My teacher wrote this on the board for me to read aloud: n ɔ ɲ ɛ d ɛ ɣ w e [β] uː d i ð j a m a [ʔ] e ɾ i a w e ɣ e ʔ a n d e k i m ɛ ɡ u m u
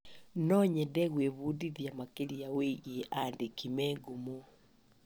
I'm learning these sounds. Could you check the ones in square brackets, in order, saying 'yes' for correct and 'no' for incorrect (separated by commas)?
yes, no